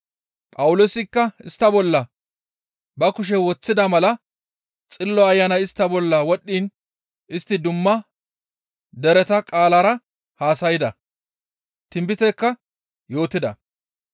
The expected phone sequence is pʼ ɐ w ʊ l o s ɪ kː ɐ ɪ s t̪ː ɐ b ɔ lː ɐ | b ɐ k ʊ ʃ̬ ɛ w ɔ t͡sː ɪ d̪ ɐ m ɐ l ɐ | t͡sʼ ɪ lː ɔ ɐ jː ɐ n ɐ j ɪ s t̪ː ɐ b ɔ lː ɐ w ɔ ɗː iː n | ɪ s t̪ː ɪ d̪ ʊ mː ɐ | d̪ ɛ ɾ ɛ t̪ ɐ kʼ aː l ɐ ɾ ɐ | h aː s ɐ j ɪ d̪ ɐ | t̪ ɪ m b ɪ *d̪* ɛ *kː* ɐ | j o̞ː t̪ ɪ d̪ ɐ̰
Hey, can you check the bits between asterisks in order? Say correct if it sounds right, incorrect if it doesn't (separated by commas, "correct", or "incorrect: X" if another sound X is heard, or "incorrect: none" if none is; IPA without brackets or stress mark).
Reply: incorrect: t̪, correct